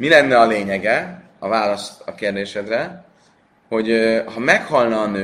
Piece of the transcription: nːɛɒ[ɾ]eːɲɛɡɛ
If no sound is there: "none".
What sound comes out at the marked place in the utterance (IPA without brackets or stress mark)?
l